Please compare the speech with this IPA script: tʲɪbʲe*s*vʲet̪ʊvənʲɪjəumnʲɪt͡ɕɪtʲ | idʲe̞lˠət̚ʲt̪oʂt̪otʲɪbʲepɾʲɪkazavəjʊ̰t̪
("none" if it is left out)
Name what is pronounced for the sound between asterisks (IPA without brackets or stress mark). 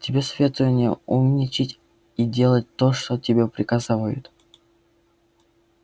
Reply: s